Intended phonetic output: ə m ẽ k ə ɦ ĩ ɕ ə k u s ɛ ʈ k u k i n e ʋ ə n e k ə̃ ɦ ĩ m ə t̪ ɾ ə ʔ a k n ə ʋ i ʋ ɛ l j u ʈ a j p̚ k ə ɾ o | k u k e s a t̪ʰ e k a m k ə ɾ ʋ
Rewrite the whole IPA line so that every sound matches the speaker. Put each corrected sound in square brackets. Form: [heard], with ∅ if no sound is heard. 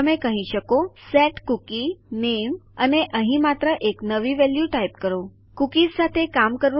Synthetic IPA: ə m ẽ k ə ɦ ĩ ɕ ə k [o] s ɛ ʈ k u k i n e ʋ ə n e [ʔ] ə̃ ɦ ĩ m [a] t̪ ɾ ə ʔ [e] k n ə ʋ i ʋ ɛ l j u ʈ a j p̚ k ə ɾ o | k u k [i] s a t̪ʰ e k a m k ə ɾ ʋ